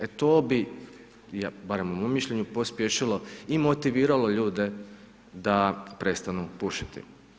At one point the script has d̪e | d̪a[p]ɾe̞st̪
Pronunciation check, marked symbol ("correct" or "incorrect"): correct